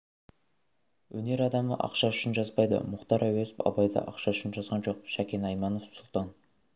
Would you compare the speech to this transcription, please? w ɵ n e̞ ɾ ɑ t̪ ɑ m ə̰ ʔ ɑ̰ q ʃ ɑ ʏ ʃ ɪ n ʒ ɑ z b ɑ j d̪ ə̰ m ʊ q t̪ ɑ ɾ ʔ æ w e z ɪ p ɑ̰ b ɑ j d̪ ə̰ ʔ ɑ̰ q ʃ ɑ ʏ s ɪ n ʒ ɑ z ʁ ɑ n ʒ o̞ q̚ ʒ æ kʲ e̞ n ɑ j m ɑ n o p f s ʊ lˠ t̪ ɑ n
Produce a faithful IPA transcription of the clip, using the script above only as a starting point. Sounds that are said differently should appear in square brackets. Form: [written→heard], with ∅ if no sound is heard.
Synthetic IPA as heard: w ɵ n e̞ ɾ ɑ [t̪→d̪] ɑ m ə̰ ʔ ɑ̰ q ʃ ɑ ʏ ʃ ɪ n ʒ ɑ z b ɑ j d̪ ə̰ m ʊ q t̪ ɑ ɾ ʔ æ w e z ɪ p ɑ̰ b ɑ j d̪ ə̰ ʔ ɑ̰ q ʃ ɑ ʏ [s→ʃ] ɪ n ʒ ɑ z ʁ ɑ n ʒ o̞ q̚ [ʒ→ʃ] æ kʲ e̞ n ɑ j m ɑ n o [p→∅] f s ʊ lˠ t̪ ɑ n

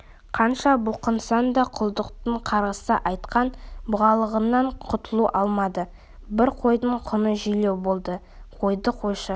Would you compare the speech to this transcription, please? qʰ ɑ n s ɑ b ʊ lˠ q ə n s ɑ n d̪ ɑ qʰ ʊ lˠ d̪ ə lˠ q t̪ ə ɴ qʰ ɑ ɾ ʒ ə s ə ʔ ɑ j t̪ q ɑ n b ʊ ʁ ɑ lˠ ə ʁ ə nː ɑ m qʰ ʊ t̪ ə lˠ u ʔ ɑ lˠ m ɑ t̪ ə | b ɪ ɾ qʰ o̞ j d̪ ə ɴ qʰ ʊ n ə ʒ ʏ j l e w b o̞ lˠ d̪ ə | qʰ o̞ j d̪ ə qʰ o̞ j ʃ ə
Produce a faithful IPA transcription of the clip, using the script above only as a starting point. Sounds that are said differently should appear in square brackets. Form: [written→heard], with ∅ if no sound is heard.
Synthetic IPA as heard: qʰ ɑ n [s→ʃ] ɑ b ʊ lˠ q ə n s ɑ n d̪ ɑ qʰ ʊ lˠ d̪ ə [lˠ→∅] q t̪ ə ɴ qʰ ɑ ɾ [ʒ→ʁ] ə s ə ʔ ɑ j t̪ q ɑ n b ʊ ʁ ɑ lˠ ə ʁ ə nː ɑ [m→ɴ] qʰ ʊ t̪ ə lˠ u ʔ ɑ lˠ m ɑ [t̪→d̪] ə | b ɪ ɾ qʰ o̞ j d̪ ə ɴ qʰ ʊ n ə ʒ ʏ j l e w b o̞ lˠ d̪ ə | qʰ o̞ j d̪ ə qʰ o̞ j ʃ ə

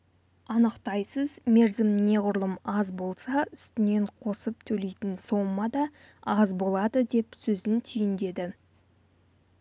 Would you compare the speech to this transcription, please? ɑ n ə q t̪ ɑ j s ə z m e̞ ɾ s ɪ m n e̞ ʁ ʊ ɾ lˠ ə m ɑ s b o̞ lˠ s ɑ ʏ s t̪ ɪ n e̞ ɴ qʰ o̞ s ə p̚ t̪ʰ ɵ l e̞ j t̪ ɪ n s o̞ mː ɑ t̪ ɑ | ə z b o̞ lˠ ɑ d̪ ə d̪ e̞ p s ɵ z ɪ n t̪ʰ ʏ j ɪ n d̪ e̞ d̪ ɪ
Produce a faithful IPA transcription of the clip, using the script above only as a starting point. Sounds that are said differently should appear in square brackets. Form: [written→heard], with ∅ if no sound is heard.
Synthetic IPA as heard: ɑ n ə q t̪ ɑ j s ə z m e̞ ɾ [s→z] ɪ m n e̞ ʁ ʊ ɾ lˠ ə m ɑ [s→z] b o̞ lˠ s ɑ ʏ s t̪ ɪ n e̞ ɴ qʰ o̞ s ə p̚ t̪ʰ ɵ l e̞ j t̪ ɪ n s o̞ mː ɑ [t̪→d̪] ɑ | [ə→ɑ] z b o̞ lˠ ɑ d̪ ə d̪ e̞ p s ɵ z ɪ n t̪ʰ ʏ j ɪ n d̪ e̞ d̪ ɪ

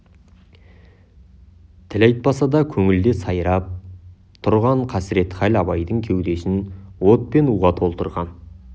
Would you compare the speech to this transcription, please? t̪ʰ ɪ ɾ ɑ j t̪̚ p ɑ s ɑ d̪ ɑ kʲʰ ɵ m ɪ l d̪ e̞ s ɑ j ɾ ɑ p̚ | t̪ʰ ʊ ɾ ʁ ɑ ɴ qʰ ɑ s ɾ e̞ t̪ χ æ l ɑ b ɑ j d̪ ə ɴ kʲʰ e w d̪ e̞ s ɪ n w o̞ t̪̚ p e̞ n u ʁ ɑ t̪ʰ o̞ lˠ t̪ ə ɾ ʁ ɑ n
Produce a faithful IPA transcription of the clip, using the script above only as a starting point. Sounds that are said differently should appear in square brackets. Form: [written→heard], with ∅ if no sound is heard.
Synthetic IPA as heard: t̪ʰ ɪ [ɾ→l] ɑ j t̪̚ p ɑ s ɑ d̪ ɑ kʲʰ ɵ [m→ŋ] ɪ l d̪ e̞ s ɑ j ɾ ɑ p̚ | t̪ʰ ʊ ɾ ʁ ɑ ɴ qʰ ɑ s ɾ e̞ t̪ χ æ l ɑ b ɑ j d̪ ə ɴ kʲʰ e w d̪ e̞ s ɪ n w o̞ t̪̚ p e̞ n u ʁ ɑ t̪ʰ o̞ lˠ t̪ ə ɾ ʁ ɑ n

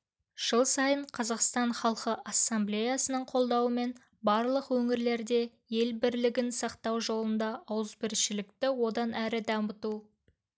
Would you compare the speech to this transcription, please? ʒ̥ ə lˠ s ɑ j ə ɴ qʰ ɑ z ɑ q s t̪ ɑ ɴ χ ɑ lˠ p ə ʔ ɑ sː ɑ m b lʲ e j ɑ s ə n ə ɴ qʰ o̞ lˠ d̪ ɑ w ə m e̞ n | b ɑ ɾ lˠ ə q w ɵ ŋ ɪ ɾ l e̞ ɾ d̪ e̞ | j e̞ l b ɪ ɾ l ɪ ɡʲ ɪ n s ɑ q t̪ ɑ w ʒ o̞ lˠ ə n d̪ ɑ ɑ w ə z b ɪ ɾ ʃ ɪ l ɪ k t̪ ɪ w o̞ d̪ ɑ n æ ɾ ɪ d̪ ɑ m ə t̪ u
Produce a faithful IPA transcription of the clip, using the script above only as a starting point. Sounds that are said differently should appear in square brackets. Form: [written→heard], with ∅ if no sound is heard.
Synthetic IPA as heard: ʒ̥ ə lˠ s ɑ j ə ɴ qʰ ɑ z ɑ q s t̪ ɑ ɴ χ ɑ lˠ [p→q] ə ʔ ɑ sː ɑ m b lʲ e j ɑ s ə n ə ɴ qʰ o̞ lˠ d̪ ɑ w ə m e̞ n | b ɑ ɾ lˠ ə q w ɵ ŋ ɪ ɾ l e̞ ɾ d̪ e̞ | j e̞ l b ɪ ɾ l ɪ ɡʲ ɪ n s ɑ q t̪ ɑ w ʒ o̞ lˠ ə n d̪ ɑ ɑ w ə z b ɪ ɾ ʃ ɪ l ɪ k t̪ ɪ w o̞ d̪ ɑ n æ ɾ ɪ d̪ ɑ m ə t̪ u

